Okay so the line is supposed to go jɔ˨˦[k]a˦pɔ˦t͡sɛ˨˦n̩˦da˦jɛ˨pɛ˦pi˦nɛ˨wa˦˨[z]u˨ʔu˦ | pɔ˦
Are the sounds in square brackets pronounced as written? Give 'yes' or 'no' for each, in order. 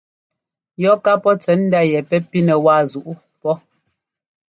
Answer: yes, yes

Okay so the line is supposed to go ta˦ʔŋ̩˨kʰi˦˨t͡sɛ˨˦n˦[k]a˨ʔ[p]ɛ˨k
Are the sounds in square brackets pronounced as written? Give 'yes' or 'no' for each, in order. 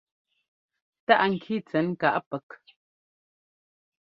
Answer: yes, yes

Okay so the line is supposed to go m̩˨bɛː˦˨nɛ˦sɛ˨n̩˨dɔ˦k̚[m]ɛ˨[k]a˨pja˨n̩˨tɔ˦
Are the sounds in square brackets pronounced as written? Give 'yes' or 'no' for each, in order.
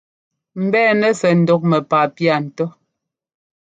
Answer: yes, no

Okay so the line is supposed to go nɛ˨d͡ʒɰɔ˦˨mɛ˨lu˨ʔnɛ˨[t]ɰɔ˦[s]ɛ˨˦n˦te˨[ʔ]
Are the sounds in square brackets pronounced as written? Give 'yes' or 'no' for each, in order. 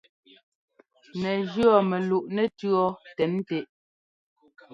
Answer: yes, no, yes

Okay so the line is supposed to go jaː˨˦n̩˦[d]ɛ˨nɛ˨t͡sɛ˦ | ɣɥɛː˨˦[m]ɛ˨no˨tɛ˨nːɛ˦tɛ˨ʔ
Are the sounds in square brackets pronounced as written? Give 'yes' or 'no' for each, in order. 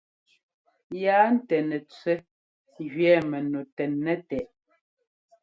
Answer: no, yes

